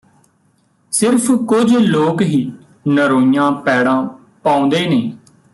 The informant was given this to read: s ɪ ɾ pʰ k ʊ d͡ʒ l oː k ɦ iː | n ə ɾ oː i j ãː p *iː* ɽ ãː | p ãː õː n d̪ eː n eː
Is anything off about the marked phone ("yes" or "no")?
yes